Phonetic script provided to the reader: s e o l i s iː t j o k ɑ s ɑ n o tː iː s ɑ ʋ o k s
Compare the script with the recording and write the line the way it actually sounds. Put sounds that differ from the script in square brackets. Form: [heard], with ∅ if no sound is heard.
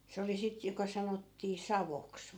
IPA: s e o l i s [i] t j o k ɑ s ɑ n o tː iː s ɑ ʋ o k s